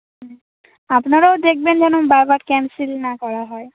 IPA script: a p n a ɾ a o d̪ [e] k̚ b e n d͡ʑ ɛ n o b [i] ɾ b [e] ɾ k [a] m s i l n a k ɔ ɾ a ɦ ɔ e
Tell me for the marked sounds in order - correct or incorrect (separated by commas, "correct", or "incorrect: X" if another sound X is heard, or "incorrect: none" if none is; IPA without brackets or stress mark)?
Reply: correct, incorrect: a, incorrect: a, incorrect: ɛ